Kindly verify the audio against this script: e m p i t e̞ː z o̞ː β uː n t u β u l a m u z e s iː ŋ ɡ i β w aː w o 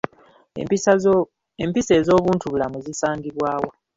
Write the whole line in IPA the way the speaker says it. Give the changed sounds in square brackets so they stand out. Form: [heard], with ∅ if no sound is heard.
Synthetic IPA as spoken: e m p i [s] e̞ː z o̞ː β uː n t u β u l a m u z [i] s [aː] ŋ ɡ i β w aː w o